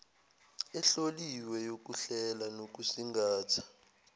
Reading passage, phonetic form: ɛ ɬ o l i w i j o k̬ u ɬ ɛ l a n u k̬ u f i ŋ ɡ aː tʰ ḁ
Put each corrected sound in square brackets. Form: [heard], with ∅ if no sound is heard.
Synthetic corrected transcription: ɛ ɬ o l i w [ɛ] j o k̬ u ɬ ɛ l a n [o] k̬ u [s] i ŋ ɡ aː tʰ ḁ